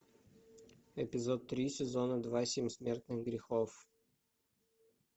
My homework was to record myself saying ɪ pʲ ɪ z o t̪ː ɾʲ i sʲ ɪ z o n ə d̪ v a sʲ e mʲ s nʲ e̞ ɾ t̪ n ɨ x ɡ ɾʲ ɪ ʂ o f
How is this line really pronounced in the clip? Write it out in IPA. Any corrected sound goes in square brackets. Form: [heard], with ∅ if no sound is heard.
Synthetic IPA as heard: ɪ pʲ ɪ z o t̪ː ɾʲ i sʲ ɪ z o n ə d̪ v a sʲ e mʲ s [mʲ] e̞ [r] t̪ n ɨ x ɡ ɾʲ ɪ [x] o f